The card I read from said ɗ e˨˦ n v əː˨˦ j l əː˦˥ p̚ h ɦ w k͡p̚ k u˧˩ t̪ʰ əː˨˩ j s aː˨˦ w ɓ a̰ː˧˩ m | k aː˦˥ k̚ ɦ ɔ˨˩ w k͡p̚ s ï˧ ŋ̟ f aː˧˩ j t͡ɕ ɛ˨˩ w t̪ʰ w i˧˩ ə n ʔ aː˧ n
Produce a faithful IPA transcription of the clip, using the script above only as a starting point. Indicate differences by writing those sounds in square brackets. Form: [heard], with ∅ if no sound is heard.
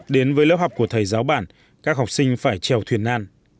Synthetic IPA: ɗ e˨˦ n v əː˨˦ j l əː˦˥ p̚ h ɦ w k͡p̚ k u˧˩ t̪ʰ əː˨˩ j [z] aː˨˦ w ɓ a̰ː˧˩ [n] | k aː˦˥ k̚ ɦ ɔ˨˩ w k͡p̚ s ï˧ ŋ̟ f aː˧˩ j t͡ɕ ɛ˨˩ w t̪ʰ w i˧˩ ə n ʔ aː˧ n